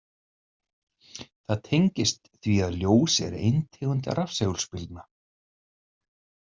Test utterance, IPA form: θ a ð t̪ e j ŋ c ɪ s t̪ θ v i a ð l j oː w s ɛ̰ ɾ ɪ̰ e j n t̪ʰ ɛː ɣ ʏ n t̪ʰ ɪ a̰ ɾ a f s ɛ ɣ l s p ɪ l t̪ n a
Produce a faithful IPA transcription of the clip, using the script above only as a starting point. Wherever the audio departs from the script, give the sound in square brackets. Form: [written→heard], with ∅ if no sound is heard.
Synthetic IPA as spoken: θ a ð [t̪→t̪ʰ] e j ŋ c ɪ s t̪ θ v i a ð l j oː w s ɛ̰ ɾ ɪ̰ e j n t̪ʰ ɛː ɣ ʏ n [t̪ʰ→t̪] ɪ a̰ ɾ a f s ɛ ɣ l s p ɪ l t̪ n a